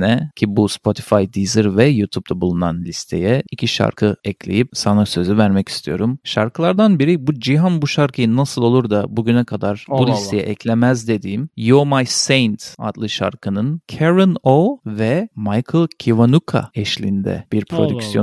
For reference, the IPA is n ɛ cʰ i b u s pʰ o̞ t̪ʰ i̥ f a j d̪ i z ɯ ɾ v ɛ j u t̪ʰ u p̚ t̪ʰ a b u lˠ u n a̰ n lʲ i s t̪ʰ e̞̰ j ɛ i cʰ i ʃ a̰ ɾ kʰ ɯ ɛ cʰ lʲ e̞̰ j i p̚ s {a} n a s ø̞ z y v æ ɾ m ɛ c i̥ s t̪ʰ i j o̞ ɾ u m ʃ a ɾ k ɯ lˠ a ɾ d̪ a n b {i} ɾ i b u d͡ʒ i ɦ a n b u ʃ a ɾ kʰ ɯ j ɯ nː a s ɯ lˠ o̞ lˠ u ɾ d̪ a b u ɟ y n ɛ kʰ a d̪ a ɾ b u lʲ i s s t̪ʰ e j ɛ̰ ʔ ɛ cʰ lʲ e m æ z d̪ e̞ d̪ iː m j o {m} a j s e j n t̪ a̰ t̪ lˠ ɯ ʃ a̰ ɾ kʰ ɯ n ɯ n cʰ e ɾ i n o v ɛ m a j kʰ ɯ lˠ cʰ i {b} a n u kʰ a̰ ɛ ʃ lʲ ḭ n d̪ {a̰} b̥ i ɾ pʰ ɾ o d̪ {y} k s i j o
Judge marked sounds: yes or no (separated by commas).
yes, yes, yes, no, no, yes